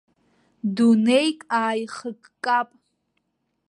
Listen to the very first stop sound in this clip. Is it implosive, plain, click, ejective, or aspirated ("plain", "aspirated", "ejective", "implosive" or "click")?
plain